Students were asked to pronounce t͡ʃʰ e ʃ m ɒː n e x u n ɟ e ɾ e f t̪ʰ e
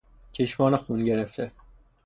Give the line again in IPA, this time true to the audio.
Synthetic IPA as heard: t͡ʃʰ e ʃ m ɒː n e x u n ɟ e ɾ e f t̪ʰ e